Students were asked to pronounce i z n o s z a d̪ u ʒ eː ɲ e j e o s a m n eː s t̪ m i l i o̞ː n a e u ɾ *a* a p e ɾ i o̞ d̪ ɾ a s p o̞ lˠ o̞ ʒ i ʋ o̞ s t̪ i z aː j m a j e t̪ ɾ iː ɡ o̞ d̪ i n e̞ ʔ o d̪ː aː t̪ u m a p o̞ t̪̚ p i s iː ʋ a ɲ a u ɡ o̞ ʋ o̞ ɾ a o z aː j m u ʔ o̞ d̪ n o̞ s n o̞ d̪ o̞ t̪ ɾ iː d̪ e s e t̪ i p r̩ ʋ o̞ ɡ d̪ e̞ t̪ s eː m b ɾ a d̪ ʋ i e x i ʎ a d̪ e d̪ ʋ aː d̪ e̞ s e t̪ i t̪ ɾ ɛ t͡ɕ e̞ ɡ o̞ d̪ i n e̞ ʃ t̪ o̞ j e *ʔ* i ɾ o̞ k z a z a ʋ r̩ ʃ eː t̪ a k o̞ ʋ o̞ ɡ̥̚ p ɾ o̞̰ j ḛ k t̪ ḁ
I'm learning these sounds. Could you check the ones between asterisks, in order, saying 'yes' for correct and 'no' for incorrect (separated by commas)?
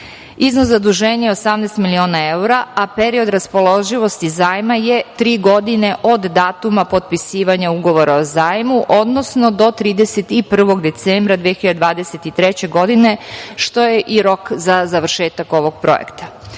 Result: yes, yes